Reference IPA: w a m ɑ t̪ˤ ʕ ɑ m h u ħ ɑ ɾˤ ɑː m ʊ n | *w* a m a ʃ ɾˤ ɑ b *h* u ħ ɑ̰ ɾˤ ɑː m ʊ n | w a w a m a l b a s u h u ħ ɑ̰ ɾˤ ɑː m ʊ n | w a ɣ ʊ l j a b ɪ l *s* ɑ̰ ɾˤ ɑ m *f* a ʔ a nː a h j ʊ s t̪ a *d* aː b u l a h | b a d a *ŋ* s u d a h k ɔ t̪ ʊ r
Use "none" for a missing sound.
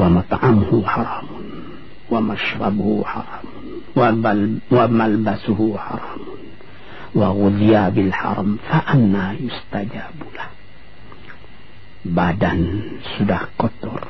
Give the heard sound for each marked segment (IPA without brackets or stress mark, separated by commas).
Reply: w, h, ħ, f, d͡ʒ, n